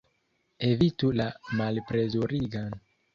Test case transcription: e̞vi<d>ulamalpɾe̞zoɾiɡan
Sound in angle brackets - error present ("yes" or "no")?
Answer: yes